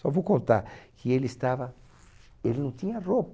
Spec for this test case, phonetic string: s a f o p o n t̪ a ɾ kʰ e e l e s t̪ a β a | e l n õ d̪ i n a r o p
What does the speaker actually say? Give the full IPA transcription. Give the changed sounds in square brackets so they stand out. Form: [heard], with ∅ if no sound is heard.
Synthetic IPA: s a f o [k] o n t̪ a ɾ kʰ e e l e s t̪ a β a | e l n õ [t̪] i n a r o p